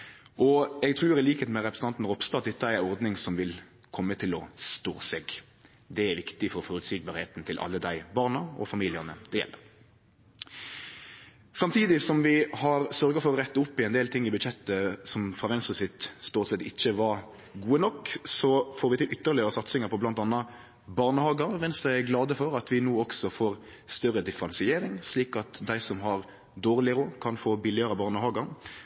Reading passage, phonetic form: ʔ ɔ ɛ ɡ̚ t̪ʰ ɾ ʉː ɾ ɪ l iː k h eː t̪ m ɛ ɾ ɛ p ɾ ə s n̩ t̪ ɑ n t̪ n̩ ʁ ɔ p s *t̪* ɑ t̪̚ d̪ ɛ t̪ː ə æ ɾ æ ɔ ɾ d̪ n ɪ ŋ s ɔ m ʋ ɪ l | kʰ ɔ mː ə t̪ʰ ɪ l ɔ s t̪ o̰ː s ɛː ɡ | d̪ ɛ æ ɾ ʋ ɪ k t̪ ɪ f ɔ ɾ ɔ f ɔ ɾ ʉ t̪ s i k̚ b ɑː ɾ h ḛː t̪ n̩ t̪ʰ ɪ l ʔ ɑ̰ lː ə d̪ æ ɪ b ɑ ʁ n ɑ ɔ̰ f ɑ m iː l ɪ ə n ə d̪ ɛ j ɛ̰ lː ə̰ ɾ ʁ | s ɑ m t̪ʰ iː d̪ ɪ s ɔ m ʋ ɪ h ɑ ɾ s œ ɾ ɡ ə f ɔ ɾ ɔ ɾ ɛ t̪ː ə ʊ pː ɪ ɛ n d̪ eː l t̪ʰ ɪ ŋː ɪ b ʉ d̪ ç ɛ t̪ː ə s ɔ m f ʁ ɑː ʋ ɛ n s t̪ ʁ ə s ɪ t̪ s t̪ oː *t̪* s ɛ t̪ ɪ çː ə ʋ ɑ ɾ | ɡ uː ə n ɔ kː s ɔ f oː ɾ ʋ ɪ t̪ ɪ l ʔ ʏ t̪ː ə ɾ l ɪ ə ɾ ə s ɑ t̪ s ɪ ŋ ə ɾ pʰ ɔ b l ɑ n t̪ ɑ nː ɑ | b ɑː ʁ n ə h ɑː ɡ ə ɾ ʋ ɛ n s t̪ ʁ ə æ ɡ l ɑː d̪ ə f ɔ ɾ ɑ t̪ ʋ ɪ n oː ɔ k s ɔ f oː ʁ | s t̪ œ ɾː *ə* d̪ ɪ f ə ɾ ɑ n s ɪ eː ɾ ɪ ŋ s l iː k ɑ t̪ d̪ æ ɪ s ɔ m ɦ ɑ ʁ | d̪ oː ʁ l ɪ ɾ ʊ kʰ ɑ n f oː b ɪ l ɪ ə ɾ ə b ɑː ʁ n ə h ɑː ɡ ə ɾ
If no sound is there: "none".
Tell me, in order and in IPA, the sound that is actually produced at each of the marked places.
t̪, t̪, ə

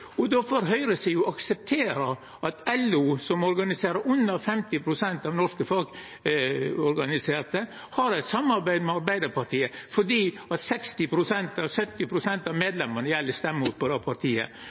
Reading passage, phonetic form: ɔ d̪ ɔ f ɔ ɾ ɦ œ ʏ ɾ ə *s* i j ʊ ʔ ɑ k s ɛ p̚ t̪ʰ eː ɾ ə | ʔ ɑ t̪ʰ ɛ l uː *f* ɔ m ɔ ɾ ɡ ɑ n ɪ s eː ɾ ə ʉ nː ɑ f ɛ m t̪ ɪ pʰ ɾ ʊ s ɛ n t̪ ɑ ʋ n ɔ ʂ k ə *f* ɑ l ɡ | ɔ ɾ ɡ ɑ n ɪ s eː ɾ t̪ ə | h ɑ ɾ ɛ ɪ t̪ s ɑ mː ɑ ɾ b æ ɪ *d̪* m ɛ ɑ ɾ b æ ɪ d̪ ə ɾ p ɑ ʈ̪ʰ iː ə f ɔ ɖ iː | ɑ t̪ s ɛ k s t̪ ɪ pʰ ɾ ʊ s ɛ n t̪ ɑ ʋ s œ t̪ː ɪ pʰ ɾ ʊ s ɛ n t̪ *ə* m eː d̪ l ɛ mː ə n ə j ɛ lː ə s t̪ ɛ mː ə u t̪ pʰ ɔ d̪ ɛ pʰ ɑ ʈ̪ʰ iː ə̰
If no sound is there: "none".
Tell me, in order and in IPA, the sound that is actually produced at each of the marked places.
s, s, f, d̪, ɑ

